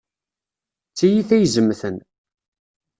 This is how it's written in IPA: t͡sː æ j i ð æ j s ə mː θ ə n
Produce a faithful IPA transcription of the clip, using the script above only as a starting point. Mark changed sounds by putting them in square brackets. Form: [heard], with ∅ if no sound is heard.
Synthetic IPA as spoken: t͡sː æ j i [θ] æ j [z] ə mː θ ə n